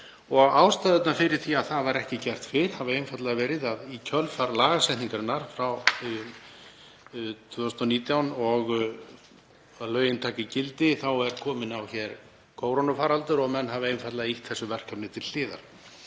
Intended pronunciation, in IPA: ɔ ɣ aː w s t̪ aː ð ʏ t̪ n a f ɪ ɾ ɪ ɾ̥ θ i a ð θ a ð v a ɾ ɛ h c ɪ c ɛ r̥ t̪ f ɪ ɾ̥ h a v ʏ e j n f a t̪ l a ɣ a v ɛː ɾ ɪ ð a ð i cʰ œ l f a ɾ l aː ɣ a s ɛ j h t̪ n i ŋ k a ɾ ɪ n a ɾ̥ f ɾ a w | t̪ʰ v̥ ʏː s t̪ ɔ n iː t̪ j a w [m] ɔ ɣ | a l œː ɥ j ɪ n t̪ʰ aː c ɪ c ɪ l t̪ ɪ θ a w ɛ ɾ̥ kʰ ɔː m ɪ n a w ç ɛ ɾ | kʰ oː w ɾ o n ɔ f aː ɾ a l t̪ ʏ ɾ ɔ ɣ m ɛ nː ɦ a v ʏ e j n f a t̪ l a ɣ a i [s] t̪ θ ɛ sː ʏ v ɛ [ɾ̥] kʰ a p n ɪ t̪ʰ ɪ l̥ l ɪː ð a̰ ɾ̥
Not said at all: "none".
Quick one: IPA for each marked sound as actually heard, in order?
n, h, r̥

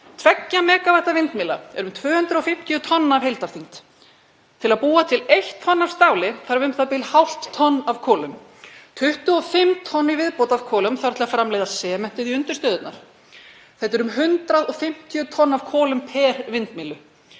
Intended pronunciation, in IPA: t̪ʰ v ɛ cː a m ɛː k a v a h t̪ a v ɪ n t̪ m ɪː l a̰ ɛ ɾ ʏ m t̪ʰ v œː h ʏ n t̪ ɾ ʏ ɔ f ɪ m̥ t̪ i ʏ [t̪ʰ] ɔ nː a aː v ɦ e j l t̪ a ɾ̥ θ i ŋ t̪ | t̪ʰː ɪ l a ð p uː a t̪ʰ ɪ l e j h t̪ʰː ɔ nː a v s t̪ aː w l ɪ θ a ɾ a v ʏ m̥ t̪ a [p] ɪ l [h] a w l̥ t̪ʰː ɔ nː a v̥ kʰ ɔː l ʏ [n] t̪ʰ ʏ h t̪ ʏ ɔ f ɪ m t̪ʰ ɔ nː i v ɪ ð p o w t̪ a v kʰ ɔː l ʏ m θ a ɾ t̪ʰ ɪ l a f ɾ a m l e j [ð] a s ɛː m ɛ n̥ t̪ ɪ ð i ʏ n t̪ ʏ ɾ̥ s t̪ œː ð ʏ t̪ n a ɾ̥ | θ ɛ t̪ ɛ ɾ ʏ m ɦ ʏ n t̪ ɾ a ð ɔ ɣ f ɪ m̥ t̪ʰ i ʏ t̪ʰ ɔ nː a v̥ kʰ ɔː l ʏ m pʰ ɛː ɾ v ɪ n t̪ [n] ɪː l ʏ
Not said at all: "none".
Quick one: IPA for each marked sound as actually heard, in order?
t̪ʰ, p, h, m, ð, m

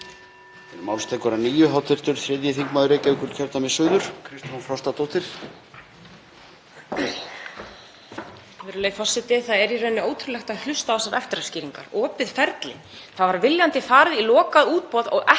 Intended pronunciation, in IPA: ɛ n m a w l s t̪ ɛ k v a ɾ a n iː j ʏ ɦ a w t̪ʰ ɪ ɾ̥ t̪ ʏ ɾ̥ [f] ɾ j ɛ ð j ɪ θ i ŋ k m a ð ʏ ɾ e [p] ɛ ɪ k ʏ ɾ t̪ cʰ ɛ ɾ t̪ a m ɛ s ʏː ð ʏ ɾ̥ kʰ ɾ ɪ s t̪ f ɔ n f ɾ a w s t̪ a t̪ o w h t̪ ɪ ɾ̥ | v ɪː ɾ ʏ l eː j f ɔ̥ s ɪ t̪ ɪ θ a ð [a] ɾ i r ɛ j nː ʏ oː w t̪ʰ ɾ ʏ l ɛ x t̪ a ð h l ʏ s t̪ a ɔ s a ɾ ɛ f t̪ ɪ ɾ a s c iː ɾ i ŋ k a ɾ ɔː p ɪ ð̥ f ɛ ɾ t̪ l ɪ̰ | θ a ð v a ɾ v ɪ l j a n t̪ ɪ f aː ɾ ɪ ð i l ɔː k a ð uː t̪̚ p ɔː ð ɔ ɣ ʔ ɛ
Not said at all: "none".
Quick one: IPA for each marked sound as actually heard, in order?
θ, c, ɛ

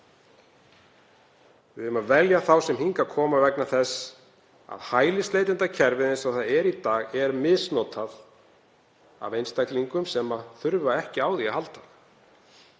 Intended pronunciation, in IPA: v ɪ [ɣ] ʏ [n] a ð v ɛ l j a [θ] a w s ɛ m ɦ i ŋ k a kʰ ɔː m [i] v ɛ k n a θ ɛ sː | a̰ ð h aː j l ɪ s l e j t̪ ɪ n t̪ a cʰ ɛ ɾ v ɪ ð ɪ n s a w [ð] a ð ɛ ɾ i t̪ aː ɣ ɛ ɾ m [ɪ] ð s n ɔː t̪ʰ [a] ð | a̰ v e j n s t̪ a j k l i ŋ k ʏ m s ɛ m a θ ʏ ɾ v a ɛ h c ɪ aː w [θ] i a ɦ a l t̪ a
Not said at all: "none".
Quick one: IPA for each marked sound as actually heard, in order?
ð, m, θ, a, θ, ɪ, a, ð

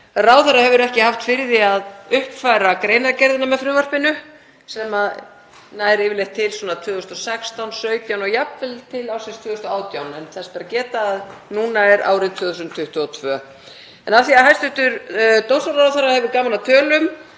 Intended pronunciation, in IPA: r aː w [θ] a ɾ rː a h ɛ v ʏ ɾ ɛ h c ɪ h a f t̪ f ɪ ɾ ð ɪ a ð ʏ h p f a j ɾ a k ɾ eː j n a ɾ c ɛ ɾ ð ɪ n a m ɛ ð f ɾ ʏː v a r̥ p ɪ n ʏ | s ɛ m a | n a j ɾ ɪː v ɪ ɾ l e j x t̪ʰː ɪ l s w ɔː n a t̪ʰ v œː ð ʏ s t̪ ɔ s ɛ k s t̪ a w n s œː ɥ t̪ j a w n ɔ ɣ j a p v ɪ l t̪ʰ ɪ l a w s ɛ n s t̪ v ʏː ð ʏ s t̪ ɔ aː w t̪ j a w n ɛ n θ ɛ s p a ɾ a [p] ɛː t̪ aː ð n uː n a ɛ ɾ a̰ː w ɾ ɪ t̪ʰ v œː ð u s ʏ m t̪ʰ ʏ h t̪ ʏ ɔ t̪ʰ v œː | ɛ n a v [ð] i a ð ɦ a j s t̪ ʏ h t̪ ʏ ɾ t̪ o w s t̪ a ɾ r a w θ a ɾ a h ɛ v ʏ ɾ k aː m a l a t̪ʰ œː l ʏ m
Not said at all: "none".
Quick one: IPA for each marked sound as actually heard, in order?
θ, c, θ

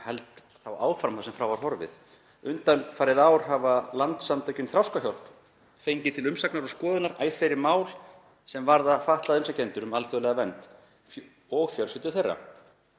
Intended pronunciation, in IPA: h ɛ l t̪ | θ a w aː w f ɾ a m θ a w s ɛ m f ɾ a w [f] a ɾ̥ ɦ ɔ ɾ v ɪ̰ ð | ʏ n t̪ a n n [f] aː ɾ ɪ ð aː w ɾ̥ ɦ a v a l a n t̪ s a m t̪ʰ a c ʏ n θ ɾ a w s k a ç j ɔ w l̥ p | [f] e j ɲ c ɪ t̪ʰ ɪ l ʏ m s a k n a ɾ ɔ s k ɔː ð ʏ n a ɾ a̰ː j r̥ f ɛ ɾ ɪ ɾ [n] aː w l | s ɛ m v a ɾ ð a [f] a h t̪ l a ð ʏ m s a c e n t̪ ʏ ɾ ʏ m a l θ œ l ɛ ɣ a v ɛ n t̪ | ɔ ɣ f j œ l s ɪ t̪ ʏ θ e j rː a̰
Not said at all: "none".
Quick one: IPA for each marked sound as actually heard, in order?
v, f, f, m, f

